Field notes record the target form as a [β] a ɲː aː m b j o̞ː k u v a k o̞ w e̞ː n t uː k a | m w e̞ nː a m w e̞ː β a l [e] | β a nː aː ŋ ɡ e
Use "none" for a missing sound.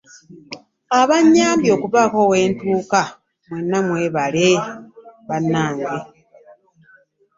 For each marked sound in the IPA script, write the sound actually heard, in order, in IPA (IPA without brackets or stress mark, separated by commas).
β, e